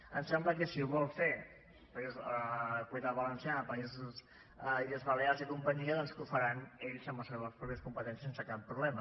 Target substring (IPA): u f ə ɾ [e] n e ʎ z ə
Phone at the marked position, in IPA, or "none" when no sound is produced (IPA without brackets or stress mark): a